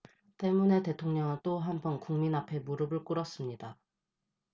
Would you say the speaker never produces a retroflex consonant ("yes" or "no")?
no